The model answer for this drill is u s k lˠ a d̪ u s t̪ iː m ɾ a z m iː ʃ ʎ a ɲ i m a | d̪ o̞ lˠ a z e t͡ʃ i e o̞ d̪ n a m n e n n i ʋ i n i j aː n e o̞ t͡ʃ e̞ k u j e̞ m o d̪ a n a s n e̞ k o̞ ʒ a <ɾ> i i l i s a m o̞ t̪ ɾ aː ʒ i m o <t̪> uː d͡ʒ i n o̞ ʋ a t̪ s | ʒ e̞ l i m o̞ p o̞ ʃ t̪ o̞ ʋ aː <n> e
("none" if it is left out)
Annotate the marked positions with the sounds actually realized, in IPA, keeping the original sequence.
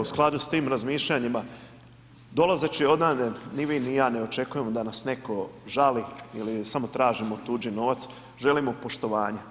l, t̪, ɲ

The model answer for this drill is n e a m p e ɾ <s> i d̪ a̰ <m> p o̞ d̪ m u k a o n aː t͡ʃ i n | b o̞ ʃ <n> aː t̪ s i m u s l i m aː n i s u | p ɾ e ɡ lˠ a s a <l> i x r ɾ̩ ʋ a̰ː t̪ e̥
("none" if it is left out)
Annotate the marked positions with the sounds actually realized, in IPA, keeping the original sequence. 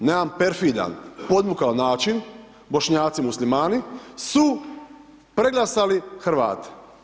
f, n, ɲ, l

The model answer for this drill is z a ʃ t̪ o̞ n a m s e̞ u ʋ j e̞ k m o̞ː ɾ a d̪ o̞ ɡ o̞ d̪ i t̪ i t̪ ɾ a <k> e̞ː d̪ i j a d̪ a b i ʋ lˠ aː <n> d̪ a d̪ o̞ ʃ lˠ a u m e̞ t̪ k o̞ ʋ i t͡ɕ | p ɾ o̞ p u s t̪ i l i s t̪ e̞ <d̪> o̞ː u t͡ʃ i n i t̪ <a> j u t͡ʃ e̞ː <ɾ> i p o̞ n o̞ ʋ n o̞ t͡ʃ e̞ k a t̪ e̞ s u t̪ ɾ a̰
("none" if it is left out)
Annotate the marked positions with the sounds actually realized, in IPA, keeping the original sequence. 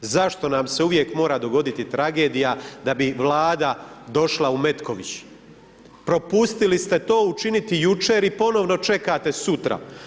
ɡ, none, t̪, i, ɾ

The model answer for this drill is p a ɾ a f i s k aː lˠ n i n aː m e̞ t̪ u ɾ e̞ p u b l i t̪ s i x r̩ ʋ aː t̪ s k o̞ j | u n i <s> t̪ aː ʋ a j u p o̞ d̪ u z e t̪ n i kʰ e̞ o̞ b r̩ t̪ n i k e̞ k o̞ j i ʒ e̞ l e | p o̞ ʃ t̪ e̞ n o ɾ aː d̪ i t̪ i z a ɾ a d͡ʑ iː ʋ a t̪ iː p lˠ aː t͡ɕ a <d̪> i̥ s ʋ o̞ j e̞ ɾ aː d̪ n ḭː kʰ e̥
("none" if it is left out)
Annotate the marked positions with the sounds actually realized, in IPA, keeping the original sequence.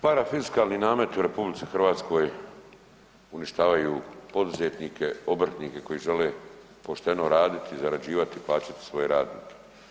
ʃ, t̪

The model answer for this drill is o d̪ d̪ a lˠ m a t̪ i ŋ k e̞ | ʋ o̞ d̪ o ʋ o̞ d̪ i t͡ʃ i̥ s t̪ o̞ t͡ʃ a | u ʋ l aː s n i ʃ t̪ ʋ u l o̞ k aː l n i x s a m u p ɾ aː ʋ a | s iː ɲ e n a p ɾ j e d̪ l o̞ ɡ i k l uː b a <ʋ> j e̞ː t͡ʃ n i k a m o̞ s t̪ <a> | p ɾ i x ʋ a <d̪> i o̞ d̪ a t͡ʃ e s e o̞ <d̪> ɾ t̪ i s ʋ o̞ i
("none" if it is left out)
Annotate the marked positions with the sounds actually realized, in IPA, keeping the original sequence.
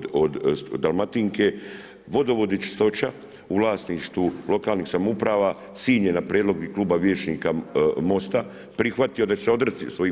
ʋ, a, t̪, d̪

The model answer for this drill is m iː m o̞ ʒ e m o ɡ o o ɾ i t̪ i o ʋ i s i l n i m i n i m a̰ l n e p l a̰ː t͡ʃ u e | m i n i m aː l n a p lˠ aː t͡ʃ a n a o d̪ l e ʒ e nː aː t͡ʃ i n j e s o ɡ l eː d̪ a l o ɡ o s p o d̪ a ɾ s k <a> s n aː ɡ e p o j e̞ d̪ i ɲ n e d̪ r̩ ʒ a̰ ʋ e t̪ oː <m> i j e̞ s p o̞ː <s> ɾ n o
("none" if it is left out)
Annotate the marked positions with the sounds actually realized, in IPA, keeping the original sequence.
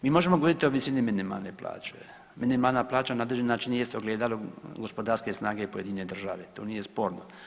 e, n, none

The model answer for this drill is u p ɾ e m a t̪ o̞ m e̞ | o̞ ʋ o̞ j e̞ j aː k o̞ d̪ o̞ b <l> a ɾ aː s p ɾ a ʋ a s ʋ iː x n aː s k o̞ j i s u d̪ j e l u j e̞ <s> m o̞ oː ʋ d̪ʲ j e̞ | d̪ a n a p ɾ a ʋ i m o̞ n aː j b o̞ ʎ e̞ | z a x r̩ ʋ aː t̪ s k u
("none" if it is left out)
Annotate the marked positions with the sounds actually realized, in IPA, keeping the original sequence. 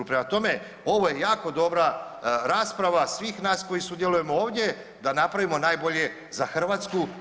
ɾ, none

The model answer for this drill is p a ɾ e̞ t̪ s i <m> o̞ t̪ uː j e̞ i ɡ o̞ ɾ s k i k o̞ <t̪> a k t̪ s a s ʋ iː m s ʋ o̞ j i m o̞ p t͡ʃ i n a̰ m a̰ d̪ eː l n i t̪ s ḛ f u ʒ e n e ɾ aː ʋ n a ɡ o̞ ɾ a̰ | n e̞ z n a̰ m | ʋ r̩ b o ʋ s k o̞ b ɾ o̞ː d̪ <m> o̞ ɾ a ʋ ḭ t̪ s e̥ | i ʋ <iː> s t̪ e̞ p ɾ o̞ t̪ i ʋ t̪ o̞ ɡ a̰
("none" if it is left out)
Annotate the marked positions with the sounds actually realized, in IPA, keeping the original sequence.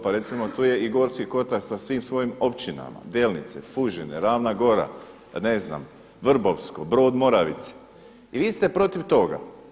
m, t̪, m, iː

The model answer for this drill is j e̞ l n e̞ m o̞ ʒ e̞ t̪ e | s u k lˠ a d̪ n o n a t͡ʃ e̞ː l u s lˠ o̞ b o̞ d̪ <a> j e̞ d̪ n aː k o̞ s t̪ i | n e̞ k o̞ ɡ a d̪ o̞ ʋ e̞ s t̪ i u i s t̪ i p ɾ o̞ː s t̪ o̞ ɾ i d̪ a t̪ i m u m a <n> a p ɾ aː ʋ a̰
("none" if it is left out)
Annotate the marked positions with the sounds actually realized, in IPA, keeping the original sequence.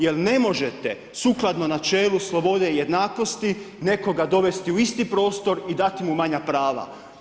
e, ɲ

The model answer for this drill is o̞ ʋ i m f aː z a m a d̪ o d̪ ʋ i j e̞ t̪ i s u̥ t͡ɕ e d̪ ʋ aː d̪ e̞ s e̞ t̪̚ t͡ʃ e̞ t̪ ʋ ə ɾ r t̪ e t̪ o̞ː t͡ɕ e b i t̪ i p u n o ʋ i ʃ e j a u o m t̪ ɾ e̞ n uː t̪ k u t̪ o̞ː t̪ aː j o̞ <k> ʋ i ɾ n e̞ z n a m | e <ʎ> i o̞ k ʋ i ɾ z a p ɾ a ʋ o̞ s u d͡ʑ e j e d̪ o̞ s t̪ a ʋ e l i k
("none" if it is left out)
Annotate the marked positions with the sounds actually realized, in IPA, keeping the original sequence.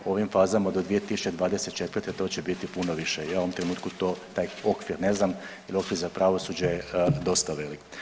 k, l

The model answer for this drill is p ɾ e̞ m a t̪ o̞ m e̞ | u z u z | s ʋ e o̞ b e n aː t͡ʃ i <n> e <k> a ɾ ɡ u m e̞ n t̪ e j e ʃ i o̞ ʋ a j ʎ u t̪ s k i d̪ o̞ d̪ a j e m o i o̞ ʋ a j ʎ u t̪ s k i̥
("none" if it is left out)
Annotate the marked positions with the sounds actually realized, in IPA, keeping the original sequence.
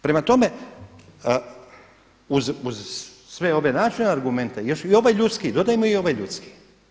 n, none

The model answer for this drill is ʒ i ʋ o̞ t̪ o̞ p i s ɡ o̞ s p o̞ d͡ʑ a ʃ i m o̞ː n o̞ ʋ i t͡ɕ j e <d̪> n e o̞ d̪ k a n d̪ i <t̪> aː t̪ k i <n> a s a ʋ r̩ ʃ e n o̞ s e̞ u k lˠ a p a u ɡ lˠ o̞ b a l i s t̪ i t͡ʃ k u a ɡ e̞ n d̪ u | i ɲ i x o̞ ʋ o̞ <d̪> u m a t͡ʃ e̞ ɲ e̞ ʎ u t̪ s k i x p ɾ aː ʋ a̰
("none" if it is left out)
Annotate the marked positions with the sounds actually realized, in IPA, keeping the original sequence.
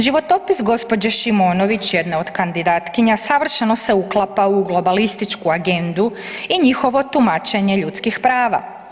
d̪, d̪, ɲ, t̪

